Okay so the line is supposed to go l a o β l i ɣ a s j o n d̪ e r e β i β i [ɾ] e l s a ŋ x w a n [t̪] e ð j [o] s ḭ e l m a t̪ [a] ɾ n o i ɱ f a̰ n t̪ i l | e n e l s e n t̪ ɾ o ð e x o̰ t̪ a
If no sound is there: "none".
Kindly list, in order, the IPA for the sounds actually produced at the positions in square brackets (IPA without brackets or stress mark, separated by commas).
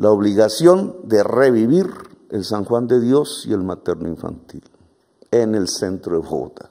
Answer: ɾ, d̪, o, e